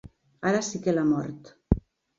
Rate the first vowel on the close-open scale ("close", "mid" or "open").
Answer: open